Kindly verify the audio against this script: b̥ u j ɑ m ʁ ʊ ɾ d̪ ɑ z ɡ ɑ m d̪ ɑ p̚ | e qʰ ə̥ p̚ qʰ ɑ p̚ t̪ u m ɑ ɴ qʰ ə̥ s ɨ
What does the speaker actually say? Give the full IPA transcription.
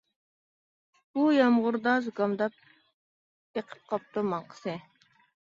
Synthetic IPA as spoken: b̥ u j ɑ m ʁ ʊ ɾ d̪ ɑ z ɡ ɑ m d̪ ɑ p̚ | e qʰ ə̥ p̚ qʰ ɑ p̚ t̪ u m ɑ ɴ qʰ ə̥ s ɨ